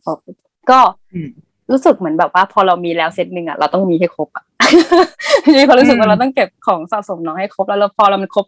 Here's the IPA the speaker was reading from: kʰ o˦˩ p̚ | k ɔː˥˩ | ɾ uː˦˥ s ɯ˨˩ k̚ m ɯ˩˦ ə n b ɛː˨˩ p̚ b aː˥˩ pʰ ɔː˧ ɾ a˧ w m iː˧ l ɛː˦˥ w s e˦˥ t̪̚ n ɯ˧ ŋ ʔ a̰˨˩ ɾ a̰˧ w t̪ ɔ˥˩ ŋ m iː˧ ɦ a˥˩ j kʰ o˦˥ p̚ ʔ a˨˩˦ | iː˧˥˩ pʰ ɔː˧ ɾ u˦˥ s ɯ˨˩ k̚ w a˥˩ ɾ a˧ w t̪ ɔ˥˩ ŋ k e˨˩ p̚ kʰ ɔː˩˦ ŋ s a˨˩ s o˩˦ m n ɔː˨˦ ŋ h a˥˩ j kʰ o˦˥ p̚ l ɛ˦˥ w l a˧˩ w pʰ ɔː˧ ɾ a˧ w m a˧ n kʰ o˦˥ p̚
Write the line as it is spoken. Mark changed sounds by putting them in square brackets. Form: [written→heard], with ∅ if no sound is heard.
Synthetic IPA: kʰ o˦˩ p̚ | k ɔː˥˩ | ɾ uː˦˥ s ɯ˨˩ k̚ m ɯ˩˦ ə n b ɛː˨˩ p̚ [b→w] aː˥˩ pʰ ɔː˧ ɾ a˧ w m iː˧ l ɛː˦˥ w s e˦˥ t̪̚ n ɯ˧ ŋ ʔ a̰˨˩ ɾ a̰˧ w t̪ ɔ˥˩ ŋ m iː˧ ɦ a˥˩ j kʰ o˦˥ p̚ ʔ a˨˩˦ | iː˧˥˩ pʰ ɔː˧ ɾ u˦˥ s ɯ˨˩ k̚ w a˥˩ ɾ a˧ w t̪ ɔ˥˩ ŋ k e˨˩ p̚ kʰ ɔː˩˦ ŋ s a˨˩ s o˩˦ m n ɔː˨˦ ŋ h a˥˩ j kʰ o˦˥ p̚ l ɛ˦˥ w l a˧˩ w pʰ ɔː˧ ɾ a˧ w m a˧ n kʰ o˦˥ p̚